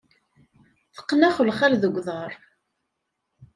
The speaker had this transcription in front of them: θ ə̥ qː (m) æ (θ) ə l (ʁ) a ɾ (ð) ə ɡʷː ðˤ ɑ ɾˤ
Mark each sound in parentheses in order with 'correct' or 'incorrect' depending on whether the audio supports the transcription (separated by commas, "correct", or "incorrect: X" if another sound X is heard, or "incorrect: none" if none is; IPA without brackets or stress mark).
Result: incorrect: n, incorrect: χ, incorrect: χ, correct